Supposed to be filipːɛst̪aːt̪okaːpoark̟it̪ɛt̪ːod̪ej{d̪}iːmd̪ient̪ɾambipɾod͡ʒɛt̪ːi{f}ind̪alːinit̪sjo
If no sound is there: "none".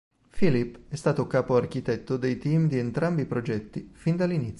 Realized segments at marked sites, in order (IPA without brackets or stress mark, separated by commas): t̪, f